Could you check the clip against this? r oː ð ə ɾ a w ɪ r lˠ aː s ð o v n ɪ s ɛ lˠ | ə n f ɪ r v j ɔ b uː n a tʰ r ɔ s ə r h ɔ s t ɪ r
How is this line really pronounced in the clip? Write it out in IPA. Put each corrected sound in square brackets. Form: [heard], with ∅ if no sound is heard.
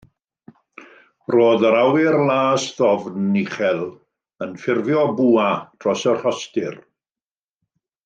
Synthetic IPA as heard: r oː ð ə ɾ a w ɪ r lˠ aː s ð [ɔ] v n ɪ [χ] ɛ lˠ | ə n f ɪ r v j ɔ b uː [∅] a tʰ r ɔ s ə r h ɔ s t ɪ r

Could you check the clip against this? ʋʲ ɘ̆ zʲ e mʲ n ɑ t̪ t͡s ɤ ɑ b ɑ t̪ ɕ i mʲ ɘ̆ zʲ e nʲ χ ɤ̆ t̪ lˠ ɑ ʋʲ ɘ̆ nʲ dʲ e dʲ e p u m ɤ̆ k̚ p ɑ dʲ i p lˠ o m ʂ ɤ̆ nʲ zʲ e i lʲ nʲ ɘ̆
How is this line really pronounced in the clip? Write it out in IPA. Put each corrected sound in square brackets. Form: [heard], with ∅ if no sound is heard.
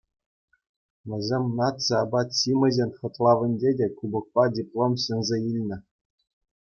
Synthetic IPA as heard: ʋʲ ɘ̆ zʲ e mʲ n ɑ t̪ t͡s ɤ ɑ b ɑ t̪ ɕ i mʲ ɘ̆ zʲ e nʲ χ ɤ̆ t̪ lˠ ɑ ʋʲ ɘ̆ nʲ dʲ e dʲ e [k] u [b] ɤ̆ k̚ p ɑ dʲ i p lˠ o m [ɕ] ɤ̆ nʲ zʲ e i lʲ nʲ ɘ̆

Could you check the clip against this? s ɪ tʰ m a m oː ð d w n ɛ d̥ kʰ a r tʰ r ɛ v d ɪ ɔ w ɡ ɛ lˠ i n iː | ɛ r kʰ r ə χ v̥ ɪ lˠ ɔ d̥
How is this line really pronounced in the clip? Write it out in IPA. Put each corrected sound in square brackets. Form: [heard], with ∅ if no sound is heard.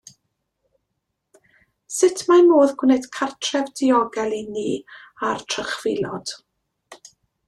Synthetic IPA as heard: s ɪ tʰ m a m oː ð [ɡ] w n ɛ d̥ kʰ a r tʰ r ɛ v d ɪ ɔ [∅] ɡ ɛ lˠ i n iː | [a] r [tʰ] r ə χ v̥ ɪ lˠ ɔ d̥

